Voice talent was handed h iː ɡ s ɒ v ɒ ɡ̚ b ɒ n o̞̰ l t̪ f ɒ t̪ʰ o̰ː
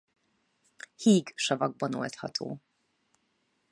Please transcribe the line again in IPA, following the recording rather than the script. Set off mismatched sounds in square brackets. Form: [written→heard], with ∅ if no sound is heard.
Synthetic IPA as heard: h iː ɡ [s→ʃ] ɒ v ɒ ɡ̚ b ɒ n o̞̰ l t̪ [f→h] ɒ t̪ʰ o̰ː